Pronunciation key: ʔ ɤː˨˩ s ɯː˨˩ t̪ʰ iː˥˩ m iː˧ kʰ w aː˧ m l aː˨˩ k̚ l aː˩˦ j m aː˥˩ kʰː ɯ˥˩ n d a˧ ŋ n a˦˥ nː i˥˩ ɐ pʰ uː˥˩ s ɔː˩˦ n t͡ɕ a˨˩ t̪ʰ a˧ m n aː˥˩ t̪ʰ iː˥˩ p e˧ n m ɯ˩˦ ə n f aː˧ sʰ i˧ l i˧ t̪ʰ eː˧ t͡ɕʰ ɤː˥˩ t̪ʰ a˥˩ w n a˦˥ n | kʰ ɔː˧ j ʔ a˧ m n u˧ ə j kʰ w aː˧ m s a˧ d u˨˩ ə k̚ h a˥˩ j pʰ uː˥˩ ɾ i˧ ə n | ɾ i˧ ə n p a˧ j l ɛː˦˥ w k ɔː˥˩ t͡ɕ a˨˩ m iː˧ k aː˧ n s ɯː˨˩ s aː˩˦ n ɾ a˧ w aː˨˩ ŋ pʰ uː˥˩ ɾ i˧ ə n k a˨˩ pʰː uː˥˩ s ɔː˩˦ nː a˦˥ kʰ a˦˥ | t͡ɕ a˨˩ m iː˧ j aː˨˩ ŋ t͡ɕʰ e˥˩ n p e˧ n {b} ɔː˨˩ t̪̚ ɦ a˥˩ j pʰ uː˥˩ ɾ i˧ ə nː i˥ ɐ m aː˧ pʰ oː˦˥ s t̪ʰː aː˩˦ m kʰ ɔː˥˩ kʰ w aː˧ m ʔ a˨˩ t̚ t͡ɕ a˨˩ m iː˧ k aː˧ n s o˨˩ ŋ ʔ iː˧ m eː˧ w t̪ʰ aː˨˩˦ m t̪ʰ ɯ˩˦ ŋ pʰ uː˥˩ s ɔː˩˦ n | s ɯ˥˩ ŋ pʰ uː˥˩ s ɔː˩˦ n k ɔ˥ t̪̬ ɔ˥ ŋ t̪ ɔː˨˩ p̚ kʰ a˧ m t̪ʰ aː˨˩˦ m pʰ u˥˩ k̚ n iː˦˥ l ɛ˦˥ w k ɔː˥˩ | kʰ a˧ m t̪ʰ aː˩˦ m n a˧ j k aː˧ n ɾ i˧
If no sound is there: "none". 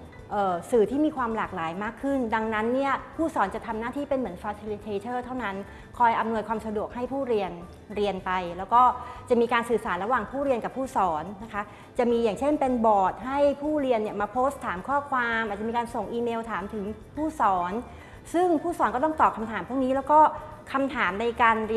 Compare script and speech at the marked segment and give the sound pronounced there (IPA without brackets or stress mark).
b